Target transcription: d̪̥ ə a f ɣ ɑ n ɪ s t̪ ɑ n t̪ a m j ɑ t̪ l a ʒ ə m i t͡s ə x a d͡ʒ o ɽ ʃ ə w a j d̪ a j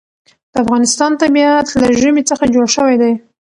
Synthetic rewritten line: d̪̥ ə a f ɣ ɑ n ɪ s t̪ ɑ n t̪ a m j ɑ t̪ l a ʒ ə m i t͡s ə x a d͡ʒ o ɽ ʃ ə w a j d̪ a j